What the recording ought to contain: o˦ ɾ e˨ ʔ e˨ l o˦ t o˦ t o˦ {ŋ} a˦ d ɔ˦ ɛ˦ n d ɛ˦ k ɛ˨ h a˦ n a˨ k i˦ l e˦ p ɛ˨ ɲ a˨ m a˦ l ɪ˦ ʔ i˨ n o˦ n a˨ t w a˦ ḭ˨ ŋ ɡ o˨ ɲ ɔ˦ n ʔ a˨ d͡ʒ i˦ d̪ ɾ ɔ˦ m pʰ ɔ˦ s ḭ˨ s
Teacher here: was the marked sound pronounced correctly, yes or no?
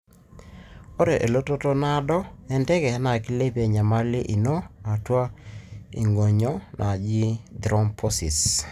no